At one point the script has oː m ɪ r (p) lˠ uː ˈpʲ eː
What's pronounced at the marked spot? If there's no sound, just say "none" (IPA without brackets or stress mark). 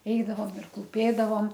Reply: k